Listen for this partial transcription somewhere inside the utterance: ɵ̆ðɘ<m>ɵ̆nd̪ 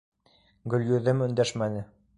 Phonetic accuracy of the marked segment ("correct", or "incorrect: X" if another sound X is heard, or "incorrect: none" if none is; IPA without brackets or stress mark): correct